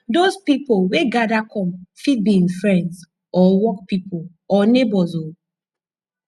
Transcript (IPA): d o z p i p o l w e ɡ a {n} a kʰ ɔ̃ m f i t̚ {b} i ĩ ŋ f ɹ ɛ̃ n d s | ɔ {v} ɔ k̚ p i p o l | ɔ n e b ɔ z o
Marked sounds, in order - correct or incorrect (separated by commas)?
incorrect, correct, incorrect